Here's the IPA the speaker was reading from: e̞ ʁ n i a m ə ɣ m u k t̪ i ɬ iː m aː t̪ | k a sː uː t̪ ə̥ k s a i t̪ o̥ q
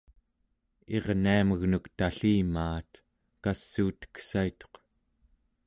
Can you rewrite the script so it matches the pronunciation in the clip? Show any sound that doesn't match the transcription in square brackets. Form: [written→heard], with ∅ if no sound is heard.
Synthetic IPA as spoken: e̞ ʁ n i a m ə ɣ [m→n] u k t̪ [i→a] ɬ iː m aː t̪ | k a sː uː t̪ ə̥ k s a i t̪ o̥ q